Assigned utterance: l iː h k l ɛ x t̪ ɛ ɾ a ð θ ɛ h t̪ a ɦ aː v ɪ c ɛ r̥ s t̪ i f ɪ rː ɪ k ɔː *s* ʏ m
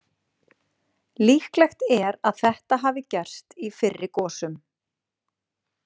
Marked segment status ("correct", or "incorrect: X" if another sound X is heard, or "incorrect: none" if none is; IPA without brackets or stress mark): correct